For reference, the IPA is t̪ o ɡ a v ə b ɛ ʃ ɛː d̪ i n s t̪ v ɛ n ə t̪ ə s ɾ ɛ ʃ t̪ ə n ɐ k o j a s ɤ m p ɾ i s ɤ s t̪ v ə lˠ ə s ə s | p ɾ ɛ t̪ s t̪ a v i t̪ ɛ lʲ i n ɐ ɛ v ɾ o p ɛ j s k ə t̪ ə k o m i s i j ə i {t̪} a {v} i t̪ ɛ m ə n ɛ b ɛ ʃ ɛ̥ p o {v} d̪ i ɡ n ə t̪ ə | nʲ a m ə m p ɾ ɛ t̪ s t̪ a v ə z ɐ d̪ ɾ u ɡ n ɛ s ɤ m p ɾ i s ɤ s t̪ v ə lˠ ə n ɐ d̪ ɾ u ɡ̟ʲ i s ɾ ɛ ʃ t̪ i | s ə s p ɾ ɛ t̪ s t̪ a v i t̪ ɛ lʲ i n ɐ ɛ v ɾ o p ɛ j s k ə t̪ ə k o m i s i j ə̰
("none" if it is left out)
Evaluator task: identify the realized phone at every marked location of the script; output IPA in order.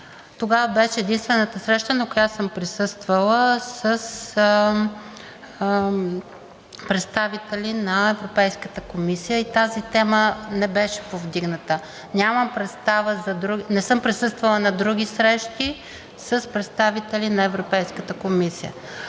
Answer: t̪, z, v

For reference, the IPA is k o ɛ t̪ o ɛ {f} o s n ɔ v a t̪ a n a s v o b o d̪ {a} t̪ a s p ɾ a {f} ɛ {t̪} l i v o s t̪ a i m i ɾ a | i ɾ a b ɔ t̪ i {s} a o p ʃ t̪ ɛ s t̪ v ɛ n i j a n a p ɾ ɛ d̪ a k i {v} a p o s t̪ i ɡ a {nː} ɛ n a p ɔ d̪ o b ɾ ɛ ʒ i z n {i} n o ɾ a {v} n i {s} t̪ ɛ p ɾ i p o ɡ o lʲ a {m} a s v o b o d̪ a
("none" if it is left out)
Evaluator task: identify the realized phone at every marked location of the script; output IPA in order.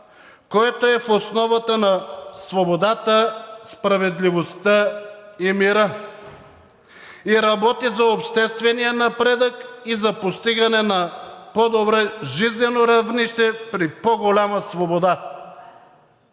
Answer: f, a, v, d̪, z, z, n, ɛ, v, ʃ, m

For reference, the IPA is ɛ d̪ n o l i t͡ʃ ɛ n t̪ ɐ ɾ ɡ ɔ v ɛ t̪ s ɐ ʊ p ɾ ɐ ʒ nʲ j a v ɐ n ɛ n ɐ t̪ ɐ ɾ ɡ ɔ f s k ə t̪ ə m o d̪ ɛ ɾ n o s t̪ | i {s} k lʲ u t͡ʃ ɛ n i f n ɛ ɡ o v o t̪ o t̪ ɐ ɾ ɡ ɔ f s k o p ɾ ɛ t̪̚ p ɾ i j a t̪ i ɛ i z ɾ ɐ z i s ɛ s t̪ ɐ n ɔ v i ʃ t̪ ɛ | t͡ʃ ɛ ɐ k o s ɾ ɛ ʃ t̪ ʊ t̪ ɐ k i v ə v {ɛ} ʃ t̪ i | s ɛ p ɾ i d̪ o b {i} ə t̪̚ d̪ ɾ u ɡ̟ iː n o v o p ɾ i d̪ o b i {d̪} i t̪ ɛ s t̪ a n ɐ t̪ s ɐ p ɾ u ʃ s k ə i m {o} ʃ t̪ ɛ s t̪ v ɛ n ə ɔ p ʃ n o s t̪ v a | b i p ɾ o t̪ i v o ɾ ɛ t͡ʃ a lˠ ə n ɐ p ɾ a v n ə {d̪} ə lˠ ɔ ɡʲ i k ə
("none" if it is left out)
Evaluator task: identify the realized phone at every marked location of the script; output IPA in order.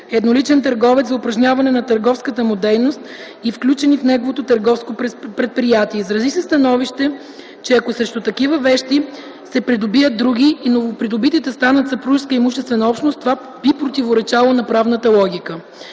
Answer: f, ɛ, i, t̪, u, t̪

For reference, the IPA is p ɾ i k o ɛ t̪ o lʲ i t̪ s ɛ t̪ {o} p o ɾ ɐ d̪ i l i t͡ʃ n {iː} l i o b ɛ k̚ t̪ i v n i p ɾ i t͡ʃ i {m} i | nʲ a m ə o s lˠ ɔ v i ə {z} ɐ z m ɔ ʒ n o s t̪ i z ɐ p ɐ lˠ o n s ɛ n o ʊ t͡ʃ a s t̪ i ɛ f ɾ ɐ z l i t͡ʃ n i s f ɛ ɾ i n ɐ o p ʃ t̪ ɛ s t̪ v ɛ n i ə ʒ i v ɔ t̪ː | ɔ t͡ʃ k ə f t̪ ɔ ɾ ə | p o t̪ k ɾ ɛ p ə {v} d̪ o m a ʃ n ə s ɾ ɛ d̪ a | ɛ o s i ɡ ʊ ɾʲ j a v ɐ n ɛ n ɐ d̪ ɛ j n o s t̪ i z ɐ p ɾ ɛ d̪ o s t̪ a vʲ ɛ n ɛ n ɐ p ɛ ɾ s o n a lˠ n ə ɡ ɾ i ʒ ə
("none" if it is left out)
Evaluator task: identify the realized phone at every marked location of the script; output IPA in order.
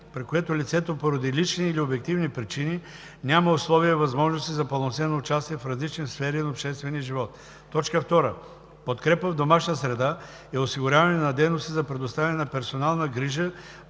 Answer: o, iː, n, v, v

